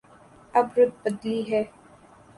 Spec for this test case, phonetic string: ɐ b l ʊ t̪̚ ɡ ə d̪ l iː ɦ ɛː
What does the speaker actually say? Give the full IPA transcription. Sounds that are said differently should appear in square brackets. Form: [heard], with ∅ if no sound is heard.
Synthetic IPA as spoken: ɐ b [ɾ] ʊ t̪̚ [b] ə d̪ l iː ɦ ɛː